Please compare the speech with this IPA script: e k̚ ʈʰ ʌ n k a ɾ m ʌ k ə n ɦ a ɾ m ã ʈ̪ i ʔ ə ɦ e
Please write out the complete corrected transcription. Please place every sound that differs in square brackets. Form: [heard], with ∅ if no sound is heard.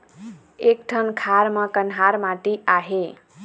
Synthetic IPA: e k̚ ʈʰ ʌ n [kʰ] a ɾ m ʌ k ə n ɦ a ɾ m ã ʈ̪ i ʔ [a] ɦ e